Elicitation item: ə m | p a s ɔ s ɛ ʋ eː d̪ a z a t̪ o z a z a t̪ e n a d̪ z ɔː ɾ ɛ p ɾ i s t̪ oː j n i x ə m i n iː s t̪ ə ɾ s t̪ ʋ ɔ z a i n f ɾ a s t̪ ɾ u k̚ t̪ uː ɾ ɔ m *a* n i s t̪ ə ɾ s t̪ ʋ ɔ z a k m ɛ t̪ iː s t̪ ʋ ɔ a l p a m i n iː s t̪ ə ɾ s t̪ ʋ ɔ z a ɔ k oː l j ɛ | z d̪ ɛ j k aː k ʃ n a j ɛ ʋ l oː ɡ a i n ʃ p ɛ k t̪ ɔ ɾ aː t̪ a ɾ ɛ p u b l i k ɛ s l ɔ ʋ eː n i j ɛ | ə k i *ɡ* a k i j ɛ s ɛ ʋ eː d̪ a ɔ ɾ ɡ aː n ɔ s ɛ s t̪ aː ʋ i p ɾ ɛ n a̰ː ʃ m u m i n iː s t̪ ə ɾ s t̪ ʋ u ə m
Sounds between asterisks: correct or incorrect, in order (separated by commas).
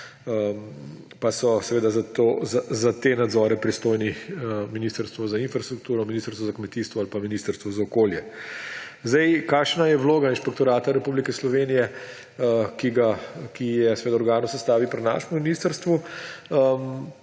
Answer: incorrect, correct